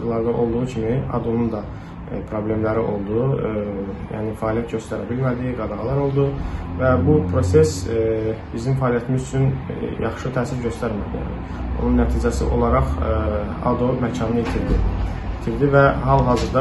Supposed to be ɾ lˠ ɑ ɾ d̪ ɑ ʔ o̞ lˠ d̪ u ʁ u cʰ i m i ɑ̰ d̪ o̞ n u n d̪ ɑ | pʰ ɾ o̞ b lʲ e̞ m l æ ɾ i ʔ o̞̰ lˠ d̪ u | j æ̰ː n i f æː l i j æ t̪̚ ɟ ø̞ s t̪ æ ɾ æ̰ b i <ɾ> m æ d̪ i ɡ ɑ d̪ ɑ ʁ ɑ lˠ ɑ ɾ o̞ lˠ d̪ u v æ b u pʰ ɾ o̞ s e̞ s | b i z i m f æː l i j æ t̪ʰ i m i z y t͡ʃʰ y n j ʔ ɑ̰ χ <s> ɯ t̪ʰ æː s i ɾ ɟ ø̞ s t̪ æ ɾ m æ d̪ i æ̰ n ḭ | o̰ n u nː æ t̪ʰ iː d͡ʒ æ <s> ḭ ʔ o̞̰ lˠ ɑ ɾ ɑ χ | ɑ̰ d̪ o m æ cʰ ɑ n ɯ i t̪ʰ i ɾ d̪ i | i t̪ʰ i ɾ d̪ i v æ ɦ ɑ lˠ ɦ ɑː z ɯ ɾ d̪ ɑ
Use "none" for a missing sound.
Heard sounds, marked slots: l, ʃ, s

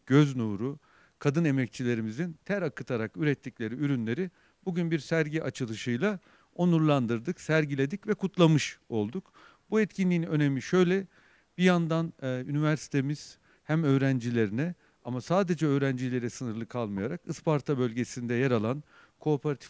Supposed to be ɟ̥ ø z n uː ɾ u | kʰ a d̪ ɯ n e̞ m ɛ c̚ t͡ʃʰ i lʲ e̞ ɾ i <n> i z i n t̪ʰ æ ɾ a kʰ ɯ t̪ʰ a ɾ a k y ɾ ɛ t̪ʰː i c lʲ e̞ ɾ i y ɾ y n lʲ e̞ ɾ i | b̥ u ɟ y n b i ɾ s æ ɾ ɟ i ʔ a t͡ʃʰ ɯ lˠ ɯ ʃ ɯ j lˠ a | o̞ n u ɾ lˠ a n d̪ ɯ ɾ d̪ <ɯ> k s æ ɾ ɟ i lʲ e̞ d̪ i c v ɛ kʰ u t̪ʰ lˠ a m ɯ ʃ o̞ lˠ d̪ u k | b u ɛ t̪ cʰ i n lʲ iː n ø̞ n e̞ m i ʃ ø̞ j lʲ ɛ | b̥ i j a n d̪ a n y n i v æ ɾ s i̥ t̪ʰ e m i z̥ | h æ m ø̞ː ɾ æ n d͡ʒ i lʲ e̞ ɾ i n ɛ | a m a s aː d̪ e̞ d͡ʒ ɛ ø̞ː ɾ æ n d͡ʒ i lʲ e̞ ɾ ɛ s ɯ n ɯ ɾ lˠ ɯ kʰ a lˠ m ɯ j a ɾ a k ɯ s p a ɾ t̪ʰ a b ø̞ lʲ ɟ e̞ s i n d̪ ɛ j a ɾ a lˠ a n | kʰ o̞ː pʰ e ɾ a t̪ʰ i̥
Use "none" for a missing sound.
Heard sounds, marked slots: m, ɯ

